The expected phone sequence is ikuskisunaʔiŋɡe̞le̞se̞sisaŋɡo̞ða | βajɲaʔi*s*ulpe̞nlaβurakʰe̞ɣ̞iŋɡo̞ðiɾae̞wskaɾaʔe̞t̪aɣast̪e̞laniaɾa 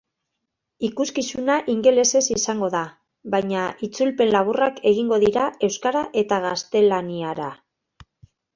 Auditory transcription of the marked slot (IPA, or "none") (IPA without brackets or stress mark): t͡s